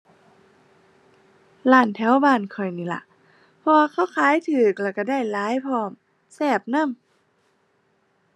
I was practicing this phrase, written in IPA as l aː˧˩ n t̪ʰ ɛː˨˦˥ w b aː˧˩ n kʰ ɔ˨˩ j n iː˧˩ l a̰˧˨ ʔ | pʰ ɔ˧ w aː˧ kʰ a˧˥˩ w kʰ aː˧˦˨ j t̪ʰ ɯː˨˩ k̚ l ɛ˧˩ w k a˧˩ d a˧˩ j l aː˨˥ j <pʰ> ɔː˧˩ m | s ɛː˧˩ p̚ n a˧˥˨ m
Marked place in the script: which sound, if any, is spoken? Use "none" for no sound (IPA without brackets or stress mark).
pʰ